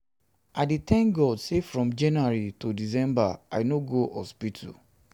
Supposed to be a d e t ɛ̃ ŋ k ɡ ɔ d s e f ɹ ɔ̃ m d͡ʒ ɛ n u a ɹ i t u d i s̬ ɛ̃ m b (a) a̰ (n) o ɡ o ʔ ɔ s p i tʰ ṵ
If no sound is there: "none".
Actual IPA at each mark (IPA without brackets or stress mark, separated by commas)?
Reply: a, n